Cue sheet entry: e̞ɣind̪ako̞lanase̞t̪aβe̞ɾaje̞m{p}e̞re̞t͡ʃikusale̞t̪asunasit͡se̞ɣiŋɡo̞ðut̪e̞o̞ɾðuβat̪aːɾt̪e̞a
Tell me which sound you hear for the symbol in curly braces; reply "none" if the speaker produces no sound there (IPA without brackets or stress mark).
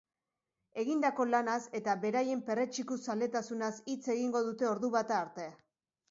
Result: p